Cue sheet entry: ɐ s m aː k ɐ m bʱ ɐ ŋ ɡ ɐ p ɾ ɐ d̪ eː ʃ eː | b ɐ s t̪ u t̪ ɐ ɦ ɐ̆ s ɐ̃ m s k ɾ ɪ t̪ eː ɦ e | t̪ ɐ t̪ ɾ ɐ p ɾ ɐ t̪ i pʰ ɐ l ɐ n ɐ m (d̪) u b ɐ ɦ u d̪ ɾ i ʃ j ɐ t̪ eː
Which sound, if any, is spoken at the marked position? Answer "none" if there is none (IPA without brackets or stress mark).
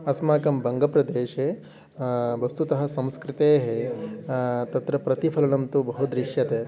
t̪